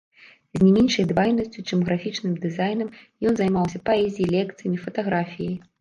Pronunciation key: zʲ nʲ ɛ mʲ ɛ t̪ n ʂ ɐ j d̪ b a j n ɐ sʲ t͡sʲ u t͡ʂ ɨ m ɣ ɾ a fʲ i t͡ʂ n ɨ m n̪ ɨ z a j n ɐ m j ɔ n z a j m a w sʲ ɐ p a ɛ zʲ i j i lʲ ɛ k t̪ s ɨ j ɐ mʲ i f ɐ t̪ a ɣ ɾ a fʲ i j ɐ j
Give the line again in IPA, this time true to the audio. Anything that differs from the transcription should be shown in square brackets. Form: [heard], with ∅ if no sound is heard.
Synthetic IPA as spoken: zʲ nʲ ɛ mʲ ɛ [∅] n ʂ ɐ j d̪ [v] a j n ɐ sʲ t͡sʲ u t͡ʂ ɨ m ɣ ɾ a fʲ i t͡ʂ n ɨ m [d̪] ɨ z a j n ɐ m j ɔ n z a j m a w sʲ ɐ p a ɛ zʲ i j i lʲ ɛ k t̪ s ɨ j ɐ mʲ i f ɐ t̪ a ɣ ɾ a fʲ i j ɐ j